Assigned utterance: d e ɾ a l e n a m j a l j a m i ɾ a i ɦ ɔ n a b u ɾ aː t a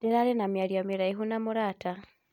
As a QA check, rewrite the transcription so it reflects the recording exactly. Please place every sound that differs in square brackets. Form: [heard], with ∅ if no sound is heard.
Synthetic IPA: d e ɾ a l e n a m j a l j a m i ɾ a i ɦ [u] n a [m] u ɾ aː t a